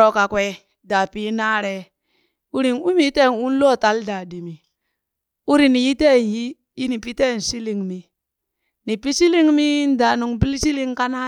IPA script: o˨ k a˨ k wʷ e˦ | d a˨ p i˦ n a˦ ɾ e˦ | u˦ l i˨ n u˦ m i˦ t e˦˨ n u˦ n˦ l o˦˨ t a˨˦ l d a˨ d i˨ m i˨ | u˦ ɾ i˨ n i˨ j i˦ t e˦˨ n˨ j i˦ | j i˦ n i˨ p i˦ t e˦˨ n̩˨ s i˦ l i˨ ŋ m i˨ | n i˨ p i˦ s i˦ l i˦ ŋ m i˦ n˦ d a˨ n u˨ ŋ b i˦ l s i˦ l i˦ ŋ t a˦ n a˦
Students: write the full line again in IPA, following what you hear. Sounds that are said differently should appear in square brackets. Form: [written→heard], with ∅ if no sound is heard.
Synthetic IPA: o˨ k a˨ k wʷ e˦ | d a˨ p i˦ n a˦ ɾ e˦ | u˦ [l→ɾ] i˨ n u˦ m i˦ t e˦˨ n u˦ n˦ l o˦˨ t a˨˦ l d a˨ d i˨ m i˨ | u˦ ɾ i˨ n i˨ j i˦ t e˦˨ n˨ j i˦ | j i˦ n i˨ p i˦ t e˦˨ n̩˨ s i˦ l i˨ ŋ m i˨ | n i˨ p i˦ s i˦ l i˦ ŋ m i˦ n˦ d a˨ n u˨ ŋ b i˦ l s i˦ l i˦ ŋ [t→k] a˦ n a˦